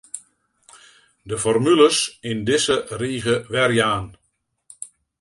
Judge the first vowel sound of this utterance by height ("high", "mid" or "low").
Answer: mid